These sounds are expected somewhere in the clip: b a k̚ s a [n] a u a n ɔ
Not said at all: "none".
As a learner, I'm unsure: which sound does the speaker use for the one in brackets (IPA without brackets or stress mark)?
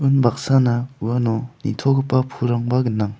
n